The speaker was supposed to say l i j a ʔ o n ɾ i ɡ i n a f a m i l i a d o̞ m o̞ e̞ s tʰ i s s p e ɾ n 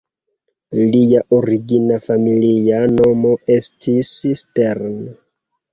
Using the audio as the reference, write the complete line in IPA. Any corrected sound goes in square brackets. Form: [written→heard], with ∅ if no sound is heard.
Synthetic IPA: l i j a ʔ o [n→∅] ɾ i ɡ i n a f a m i l i a [d→n] o̞ m o̞ e̞ s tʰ i s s [p→t] e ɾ n